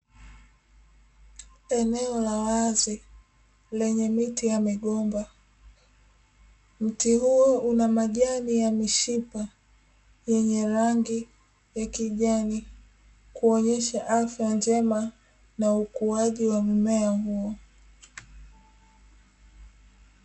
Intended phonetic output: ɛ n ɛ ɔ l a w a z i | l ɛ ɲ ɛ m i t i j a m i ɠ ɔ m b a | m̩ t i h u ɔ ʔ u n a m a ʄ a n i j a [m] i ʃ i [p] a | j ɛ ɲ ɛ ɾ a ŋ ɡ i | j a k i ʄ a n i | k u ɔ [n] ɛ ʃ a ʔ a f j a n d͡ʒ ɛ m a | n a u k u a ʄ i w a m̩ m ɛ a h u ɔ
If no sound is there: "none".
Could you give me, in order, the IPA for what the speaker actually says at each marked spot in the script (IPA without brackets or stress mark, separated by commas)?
m, p, ɲ